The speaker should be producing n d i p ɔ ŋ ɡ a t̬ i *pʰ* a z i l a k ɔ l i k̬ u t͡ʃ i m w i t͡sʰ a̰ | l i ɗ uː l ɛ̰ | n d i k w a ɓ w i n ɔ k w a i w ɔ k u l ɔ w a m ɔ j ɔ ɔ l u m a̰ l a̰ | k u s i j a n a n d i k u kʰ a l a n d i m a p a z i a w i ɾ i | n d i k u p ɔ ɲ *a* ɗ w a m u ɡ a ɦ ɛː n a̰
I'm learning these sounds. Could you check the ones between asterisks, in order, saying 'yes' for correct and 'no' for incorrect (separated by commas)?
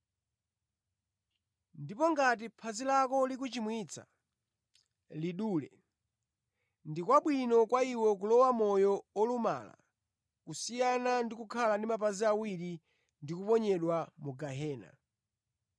yes, no